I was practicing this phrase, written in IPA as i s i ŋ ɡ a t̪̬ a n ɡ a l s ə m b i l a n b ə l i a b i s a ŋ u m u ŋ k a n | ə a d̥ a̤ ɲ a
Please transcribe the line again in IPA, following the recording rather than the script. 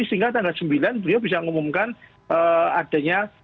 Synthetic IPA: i s i ŋ ɡ a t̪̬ a ŋ ɡ a l s ə m b i l a n b ə l i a b i s a ŋ u m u m k a n | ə a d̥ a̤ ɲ a